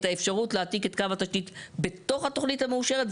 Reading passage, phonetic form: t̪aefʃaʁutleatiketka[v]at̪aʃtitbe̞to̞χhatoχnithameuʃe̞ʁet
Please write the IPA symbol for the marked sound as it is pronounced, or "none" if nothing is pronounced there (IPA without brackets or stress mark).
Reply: v